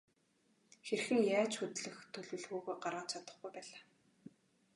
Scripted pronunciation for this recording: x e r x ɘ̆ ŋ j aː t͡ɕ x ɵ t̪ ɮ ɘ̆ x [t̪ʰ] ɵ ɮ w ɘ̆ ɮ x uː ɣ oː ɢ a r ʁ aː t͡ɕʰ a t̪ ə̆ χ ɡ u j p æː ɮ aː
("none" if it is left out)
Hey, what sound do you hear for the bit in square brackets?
t̪ʰ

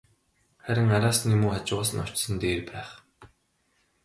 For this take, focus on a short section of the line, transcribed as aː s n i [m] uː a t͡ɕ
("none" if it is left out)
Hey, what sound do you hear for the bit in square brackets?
m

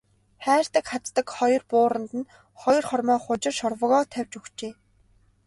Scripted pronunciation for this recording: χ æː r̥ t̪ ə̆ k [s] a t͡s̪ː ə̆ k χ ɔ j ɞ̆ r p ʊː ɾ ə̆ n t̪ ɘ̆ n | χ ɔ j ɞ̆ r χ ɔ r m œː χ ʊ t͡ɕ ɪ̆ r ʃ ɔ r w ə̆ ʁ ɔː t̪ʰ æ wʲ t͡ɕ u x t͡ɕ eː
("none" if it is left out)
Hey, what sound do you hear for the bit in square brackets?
χ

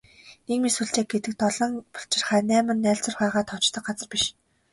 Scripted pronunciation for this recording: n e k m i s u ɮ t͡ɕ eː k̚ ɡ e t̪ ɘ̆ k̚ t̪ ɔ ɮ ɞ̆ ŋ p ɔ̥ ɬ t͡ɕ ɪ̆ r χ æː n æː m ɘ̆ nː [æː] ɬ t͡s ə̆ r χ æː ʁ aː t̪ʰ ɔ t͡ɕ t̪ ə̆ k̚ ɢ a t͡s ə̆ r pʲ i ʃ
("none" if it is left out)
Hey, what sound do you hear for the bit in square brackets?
æː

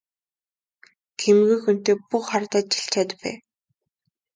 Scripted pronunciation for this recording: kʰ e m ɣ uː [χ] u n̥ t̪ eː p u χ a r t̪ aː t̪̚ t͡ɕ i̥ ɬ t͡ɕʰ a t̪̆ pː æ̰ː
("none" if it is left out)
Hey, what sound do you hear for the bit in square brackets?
x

